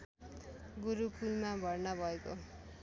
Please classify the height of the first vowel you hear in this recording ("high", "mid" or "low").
high